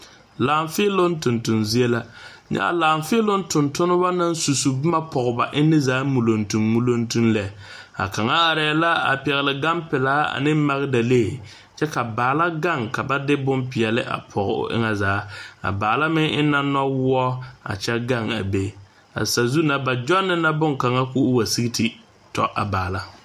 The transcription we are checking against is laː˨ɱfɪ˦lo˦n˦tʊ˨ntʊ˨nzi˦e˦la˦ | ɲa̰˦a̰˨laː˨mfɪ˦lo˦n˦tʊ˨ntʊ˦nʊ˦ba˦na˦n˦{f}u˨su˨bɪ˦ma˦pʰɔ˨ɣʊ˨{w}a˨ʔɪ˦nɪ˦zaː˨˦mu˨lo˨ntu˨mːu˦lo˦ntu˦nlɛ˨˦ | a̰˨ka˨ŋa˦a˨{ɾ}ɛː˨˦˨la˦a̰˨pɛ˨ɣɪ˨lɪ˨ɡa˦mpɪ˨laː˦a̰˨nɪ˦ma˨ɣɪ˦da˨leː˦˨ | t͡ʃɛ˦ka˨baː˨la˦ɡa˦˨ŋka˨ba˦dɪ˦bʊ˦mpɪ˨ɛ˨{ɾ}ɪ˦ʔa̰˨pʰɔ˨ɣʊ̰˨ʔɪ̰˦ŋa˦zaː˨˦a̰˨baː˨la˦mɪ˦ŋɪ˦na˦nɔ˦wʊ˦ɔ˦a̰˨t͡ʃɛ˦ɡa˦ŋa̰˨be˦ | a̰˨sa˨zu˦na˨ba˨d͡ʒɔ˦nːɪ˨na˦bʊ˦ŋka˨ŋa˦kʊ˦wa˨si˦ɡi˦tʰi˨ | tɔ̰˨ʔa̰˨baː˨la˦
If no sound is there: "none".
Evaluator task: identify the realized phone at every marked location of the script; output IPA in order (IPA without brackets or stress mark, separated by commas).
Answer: s, b, ɾ, l